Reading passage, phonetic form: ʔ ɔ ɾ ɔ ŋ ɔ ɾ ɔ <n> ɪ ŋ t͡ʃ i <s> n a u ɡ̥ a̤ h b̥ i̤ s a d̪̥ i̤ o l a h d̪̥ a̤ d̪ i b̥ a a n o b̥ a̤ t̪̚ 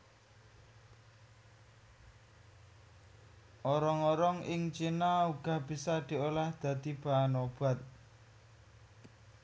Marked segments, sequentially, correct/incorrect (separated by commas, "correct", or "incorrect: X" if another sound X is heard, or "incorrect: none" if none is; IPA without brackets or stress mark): incorrect: ŋ, incorrect: none